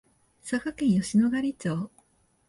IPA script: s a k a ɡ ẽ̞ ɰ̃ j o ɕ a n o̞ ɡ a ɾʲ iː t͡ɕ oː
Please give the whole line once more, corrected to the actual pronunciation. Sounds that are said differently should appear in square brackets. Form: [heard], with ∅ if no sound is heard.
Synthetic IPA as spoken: s a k a [k] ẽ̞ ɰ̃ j o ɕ [i] n o̞ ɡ a ɾʲ [i] t͡ɕ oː